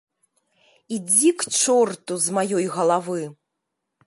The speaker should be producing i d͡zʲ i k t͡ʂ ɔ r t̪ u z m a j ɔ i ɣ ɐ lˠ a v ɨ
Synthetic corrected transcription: i d͡zʲ i k t͡ʂ ɔ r t̪ u z m a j ɔ j ɣ ɐ lˠ a v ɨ